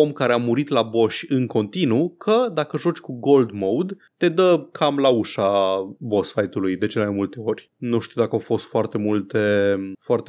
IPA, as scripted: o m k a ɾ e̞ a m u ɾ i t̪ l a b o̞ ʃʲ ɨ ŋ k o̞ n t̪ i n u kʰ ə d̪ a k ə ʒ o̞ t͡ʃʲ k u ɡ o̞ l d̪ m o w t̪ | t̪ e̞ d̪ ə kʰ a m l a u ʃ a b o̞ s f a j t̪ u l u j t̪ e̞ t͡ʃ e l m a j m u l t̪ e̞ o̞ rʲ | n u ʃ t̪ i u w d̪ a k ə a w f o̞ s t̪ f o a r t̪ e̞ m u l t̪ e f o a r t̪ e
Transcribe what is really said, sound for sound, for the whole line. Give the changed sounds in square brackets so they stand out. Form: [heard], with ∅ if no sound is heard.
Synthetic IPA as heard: o m k a ɾ e̞ a m u ɾ i t̪ l a b o̞ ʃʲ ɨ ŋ k o̞ n t̪ i n u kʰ ə d̪ a k ə ʒ o̞ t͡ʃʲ k u ɡ o̞ l d̪ m o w [d̪] | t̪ e̞ d̪ ə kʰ a m l a u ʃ a b o̞ s f a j t̪ u l u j [d̪] e̞ t͡ʃ e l m a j m u l t̪ e̞ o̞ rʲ | n u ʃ t̪ i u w d̪ a k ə a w f o̞ s t̪ f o a r t̪ e̞ m u l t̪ e f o a r t̪ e